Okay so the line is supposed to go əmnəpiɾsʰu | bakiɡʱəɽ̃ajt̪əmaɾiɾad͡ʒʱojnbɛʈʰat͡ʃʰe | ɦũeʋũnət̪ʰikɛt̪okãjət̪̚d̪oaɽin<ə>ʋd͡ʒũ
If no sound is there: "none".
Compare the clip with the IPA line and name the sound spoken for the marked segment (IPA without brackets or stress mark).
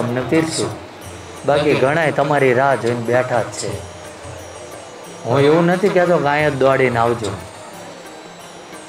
a